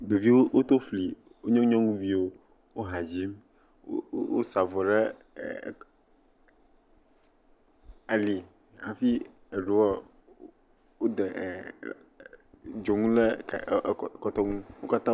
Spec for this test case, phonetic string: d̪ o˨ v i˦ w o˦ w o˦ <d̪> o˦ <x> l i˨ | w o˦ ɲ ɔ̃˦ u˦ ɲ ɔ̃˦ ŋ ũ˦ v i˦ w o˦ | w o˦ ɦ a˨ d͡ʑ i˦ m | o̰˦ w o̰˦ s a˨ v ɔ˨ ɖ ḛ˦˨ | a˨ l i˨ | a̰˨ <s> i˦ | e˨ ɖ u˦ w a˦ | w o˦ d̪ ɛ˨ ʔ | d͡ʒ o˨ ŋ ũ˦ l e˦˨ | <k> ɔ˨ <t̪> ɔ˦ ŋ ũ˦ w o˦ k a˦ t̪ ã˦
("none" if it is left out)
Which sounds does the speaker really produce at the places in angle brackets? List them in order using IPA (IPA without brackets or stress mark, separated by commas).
t̪, f, f, k, t̪